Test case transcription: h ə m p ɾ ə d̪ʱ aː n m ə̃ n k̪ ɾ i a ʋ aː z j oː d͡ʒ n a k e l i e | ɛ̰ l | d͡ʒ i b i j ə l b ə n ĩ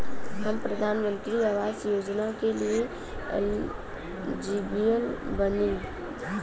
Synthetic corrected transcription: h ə m p ɾ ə d̪ʱ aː n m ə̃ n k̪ ɾ i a ʋ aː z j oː d͡ʒ n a k e l i e | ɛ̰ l | d͡ʒ i b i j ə l b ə n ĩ